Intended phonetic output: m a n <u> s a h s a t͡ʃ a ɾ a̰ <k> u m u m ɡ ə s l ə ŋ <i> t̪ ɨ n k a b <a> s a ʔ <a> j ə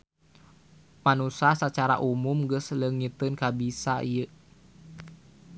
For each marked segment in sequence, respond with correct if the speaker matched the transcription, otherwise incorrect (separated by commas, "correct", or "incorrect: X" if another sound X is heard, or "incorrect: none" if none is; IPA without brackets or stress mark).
correct, incorrect: ʔ, correct, incorrect: i, incorrect: i